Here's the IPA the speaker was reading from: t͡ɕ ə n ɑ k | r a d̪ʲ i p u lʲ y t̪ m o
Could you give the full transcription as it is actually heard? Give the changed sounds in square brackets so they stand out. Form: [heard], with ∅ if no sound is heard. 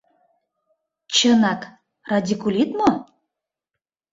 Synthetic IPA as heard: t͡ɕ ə n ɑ k | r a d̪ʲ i [k] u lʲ [i] t̪ m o

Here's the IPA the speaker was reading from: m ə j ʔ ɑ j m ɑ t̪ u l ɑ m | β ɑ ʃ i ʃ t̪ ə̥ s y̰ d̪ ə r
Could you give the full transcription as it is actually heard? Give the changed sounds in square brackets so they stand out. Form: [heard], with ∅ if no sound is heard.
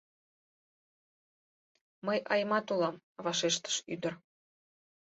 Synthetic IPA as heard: m ə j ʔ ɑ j m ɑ t̪ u l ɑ m | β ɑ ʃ [e] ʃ t̪ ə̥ [ʃ] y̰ d̪ ə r

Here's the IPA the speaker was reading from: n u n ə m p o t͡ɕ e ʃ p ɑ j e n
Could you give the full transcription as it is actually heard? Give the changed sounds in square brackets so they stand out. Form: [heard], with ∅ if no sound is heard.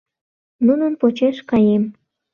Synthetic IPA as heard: n u n ə [n] p o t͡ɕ e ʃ [k] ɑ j e [m]

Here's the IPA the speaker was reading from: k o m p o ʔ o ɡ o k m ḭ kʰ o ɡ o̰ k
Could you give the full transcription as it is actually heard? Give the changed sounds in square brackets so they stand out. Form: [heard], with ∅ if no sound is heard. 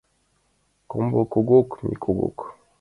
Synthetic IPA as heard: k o m [b] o [k] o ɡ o k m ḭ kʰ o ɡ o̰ k

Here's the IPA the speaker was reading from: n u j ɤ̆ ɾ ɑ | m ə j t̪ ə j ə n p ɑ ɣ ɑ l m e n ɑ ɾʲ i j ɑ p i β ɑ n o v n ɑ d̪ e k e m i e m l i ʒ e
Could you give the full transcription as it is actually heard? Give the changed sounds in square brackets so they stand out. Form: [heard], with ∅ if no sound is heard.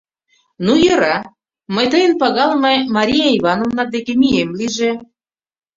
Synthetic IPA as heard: n u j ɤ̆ ɾ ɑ | m ə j t̪ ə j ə n p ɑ ɣ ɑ l m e [m] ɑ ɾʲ i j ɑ [∅] i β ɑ n o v n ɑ d̪ e k e m i e m l i ʒ e

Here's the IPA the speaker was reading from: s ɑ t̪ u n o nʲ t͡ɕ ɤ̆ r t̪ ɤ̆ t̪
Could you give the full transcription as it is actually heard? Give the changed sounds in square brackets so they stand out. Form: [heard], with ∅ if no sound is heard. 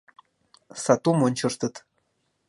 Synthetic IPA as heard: s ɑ t̪ u [m] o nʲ t͡ɕ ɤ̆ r t̪ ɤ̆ t̪

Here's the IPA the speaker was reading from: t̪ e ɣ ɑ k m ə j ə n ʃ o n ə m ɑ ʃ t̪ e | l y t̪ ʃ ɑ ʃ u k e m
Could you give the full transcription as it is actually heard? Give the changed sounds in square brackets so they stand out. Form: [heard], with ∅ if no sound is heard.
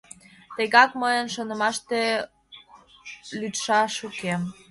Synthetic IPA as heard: t̪ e ɣ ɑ k m ə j ə n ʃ o n ə m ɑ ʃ t̪ e | l y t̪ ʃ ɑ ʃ u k e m

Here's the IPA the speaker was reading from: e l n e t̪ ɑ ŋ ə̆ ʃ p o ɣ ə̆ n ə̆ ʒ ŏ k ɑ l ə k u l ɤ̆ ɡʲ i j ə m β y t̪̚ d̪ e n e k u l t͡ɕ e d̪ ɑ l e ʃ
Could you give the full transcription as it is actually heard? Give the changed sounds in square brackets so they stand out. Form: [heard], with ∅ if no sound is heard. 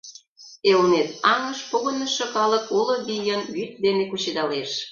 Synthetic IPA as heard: e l n e t̪ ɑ ŋ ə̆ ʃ p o ɣ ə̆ n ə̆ [ʃ] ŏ k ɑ l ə k u l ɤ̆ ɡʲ i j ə [n] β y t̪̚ d̪ e n e k u [∅] t͡ɕ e d̪ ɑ l e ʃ

